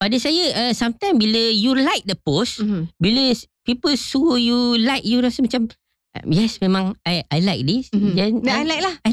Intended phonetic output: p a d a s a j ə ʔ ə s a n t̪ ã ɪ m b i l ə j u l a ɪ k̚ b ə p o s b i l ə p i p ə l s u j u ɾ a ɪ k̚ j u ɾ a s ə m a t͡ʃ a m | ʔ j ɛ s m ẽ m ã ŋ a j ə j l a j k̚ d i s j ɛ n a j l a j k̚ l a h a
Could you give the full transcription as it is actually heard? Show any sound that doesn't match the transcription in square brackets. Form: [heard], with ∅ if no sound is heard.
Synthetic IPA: p a d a s a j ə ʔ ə s a [m] t̪ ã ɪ m b i l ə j u l a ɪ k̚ [d] ə p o s b i l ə p i p ə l s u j u [l] a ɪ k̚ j u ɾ a s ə m a t͡ʃ a m | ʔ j ɛ s m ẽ m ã ŋ a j [a] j l a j k̚ d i s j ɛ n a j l a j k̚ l a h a